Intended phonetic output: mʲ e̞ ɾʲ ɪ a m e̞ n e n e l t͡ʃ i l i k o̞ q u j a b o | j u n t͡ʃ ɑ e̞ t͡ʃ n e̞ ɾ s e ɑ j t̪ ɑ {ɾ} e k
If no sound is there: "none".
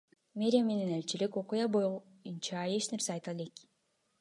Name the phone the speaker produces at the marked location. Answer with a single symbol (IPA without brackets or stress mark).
l